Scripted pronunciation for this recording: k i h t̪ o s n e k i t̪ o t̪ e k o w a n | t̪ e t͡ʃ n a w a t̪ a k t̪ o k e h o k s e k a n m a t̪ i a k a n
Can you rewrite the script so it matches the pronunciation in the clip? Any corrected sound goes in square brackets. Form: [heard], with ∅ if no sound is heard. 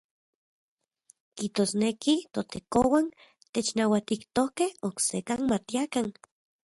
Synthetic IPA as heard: k i h t̪ o s n e k i t̪ o t̪ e k o w a n | t̪ e t͡ʃ n a w a t̪ [i] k t̪ o k e h o k s e k a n m a t̪ i a k a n